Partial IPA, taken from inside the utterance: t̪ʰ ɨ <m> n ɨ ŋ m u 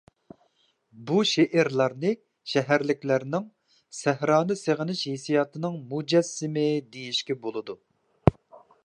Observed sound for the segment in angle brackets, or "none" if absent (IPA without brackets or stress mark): none